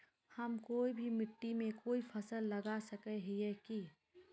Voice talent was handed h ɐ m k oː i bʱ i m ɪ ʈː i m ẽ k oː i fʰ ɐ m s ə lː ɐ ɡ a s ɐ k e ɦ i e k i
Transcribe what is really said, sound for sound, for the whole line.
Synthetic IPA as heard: h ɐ m k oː i bʱ i m ɪ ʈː i m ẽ k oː i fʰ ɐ s ə lː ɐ ɡ a s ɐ k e ɦ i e k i